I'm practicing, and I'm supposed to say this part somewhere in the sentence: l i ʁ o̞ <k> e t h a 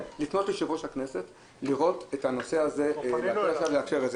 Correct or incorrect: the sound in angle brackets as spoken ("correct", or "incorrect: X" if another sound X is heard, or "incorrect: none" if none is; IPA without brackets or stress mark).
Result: incorrect: t